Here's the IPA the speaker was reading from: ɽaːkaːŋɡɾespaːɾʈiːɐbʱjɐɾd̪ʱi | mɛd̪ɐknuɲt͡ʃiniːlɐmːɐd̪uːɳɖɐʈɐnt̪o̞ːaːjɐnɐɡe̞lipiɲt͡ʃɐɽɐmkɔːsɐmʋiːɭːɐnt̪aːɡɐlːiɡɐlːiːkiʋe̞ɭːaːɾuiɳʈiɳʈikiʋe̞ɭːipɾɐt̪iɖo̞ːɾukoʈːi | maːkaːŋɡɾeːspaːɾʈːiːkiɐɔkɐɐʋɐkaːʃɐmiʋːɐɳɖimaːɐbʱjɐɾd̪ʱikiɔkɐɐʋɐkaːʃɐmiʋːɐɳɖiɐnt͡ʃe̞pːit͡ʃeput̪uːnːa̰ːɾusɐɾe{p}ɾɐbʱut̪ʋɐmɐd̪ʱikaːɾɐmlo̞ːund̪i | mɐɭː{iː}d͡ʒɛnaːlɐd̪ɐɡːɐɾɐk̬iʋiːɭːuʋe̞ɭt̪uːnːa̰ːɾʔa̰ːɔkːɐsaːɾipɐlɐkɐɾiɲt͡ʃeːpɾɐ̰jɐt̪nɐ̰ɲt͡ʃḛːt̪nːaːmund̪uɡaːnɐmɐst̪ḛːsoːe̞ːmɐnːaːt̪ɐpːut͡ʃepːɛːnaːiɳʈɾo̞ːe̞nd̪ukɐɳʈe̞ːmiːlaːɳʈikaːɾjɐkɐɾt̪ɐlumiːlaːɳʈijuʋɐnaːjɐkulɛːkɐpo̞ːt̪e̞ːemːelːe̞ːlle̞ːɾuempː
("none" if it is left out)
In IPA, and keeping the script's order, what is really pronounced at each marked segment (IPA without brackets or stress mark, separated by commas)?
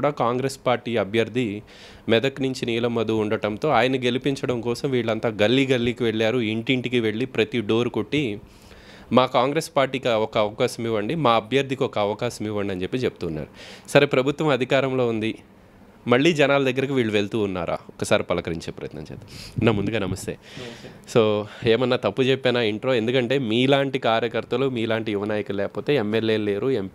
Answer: p, iː